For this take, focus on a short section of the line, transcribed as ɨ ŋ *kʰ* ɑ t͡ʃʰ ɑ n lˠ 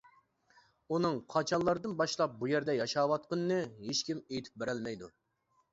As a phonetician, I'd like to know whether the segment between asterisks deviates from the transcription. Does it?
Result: yes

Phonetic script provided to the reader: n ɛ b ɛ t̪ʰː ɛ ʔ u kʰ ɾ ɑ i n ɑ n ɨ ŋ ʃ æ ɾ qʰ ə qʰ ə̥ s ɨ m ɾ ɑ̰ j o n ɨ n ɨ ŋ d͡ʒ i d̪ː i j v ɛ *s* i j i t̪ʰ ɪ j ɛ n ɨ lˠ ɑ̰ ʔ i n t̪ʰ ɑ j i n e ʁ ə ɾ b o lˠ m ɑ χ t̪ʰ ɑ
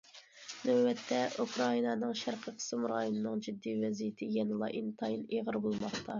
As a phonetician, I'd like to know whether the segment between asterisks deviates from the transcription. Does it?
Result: yes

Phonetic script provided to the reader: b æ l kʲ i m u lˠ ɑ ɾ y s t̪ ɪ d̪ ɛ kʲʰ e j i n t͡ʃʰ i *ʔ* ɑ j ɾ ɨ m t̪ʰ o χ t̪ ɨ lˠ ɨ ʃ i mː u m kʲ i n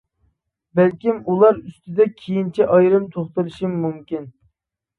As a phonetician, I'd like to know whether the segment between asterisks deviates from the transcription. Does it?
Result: no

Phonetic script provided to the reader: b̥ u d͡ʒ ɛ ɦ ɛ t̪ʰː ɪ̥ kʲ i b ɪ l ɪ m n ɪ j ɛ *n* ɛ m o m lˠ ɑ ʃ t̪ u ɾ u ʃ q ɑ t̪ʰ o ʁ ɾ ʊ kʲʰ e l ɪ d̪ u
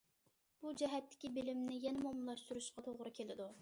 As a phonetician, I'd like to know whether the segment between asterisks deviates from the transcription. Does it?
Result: no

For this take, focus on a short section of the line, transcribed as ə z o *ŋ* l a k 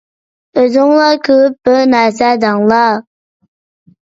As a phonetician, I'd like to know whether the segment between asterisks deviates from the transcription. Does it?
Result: no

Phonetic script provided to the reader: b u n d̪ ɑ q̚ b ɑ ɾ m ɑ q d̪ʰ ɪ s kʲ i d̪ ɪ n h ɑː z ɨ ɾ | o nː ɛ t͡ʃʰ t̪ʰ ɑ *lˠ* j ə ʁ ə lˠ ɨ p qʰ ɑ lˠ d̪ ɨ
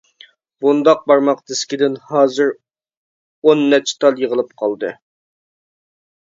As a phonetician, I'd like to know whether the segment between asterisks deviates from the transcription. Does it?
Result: no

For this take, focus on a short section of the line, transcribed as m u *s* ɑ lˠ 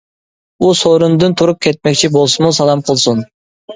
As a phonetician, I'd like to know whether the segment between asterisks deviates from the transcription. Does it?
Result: no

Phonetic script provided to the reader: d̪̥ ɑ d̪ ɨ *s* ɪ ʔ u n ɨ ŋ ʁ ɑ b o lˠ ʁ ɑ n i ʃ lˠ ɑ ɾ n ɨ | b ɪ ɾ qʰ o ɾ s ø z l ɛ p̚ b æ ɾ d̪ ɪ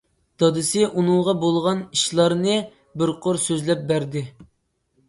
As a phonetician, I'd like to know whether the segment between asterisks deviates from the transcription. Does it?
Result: no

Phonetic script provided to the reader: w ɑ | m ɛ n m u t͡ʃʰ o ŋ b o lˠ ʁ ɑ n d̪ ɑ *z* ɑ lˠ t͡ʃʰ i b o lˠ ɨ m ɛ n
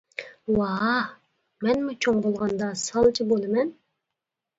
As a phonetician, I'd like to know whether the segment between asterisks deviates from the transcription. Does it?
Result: yes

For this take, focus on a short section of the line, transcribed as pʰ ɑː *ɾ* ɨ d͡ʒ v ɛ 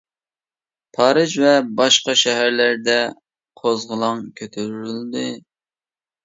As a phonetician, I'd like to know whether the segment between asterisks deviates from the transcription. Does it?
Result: no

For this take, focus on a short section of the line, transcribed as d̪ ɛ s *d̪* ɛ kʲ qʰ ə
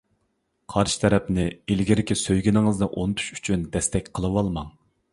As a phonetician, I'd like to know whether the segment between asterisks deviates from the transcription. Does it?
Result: yes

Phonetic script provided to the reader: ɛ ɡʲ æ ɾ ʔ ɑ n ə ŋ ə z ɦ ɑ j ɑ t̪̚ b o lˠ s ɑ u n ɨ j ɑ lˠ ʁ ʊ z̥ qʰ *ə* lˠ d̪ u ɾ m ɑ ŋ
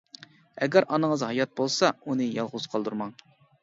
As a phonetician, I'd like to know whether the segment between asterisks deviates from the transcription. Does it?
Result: yes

